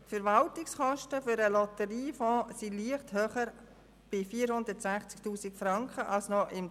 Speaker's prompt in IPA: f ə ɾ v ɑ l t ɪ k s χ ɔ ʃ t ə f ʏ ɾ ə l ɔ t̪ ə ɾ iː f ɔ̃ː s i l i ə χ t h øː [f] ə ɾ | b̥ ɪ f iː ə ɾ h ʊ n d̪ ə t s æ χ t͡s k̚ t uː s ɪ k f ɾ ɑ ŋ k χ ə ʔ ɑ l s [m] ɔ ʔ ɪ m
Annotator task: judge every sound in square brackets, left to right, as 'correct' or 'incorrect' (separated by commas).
incorrect, incorrect